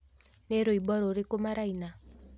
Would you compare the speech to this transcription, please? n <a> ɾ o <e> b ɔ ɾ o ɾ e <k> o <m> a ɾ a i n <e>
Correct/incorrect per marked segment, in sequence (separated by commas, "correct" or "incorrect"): incorrect, incorrect, correct, correct, incorrect